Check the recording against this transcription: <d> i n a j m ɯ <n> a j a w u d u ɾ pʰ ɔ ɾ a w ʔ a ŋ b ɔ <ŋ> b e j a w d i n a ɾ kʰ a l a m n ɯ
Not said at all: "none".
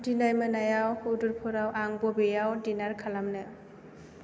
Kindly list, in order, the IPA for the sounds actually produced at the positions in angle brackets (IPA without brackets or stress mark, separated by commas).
d, n, none